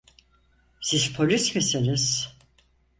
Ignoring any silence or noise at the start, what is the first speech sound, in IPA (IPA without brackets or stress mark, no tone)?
s